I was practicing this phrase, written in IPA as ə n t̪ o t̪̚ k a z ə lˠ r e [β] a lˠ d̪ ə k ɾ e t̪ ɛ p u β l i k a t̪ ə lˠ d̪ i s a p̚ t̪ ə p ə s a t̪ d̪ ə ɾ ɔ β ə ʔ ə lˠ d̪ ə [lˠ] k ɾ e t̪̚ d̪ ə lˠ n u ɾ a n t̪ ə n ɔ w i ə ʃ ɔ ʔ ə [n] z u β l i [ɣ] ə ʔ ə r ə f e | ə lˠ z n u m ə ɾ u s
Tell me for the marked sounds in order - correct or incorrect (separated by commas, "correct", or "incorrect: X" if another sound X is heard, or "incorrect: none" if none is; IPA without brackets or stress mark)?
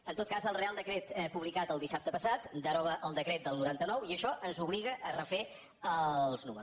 incorrect: none, incorrect: none, correct, correct